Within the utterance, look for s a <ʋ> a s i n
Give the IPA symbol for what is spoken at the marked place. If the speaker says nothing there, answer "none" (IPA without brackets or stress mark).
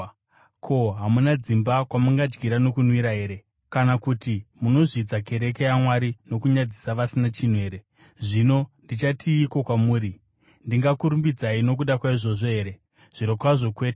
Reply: ʋ